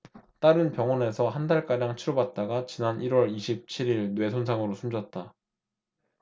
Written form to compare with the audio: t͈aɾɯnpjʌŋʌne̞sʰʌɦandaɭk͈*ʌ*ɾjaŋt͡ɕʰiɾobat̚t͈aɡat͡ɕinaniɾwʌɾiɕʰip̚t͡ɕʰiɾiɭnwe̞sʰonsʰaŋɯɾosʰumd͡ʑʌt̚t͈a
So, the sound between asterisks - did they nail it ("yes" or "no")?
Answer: no